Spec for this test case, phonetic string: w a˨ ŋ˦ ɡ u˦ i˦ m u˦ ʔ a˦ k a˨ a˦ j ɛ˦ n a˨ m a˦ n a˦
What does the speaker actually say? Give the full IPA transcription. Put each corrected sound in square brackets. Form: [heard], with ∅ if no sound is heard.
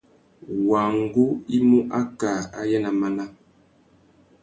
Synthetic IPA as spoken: w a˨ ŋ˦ ɡ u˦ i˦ m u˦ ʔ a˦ k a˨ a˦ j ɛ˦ n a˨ m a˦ n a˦